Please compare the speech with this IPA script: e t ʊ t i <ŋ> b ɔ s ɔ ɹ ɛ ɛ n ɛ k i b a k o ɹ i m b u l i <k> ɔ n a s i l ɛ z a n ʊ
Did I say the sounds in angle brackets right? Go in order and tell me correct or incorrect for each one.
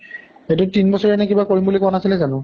incorrect: n, correct

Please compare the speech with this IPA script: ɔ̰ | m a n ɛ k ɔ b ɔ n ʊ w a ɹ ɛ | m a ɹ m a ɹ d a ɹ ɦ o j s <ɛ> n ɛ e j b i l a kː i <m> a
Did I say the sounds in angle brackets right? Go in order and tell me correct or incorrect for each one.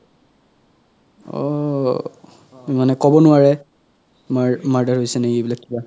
correct, incorrect: b

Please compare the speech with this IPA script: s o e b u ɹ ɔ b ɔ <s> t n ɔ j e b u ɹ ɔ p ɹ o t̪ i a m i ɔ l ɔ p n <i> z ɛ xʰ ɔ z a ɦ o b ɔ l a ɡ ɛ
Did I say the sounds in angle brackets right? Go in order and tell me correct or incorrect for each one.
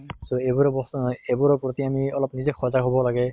correct, correct

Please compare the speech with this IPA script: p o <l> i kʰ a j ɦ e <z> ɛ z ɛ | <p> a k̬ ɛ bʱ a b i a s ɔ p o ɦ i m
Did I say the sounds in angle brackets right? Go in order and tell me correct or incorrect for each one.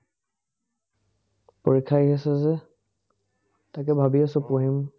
incorrect: ɹ, incorrect: s, incorrect: t

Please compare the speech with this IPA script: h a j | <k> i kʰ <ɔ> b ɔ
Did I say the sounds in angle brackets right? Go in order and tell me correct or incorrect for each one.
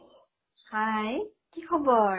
correct, correct

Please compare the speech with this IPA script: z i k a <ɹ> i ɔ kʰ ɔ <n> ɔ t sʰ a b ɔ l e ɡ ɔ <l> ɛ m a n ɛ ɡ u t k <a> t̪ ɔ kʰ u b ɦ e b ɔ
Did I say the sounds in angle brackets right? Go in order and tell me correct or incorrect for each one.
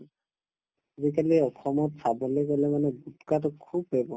incorrect: l, incorrect: m, correct, correct

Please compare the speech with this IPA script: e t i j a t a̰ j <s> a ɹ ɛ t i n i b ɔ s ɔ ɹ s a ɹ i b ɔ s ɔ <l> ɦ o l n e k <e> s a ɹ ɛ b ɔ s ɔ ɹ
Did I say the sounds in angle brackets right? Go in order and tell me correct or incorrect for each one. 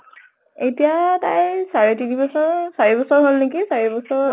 correct, incorrect: ɹ, incorrect: i

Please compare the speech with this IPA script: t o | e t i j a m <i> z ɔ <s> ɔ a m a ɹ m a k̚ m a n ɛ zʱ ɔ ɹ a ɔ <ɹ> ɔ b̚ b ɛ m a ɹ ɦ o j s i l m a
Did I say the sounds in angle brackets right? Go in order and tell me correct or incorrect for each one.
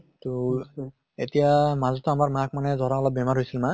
incorrect: a, incorrect: t, incorrect: l

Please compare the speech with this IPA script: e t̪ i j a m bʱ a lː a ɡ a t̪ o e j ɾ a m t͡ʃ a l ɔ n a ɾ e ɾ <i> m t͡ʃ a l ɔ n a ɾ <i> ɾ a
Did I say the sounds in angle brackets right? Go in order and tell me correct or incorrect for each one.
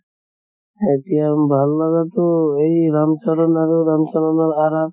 incorrect: a, incorrect: a

